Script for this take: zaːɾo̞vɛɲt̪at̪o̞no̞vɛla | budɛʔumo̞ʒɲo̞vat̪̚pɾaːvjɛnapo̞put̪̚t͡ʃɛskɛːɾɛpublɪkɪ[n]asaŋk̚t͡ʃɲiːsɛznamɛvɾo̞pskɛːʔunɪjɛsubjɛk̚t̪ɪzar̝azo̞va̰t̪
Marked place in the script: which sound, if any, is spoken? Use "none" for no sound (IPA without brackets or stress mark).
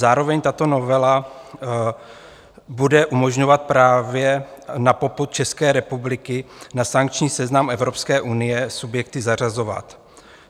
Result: n